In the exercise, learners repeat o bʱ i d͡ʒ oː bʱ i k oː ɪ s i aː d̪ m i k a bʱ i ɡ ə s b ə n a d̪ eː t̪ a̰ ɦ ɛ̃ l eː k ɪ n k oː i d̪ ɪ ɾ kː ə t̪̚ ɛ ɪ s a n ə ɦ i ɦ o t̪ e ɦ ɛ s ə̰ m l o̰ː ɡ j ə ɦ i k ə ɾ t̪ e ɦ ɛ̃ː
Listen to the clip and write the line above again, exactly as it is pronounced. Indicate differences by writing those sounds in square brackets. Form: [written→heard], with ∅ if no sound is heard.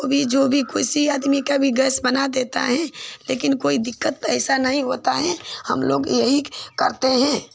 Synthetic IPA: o bʱ i d͡ʒ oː bʱ i k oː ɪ s i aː d̪ m i k a bʱ i ɡ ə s b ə n a d̪ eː t̪ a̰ ɦ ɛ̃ l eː k ɪ n k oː i d̪ ɪ [ɾ→∅] kː ə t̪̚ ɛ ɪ s a n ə ɦ [i→ĩ] ɦ o t̪ [e→a] ɦ ɛ [s→h] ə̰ m l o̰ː ɡ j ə ɦ i k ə ɾ t̪ e ɦ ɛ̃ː